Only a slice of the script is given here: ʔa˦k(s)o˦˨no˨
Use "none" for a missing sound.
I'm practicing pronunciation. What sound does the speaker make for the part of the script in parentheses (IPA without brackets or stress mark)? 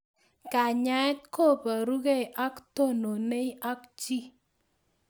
t